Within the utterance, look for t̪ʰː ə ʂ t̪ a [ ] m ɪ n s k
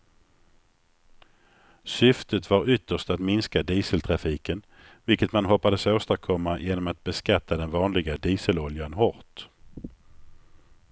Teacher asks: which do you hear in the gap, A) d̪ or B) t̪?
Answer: B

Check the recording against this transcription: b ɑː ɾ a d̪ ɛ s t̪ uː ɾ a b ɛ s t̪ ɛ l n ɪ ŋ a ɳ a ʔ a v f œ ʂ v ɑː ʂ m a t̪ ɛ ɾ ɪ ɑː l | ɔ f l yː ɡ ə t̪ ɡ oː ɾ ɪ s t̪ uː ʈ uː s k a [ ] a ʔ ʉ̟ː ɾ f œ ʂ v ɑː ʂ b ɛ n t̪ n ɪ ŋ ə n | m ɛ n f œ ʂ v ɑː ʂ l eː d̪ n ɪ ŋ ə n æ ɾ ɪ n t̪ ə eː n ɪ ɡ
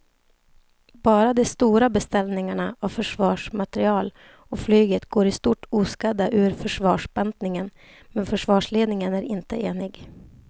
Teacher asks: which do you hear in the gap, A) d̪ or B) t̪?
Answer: A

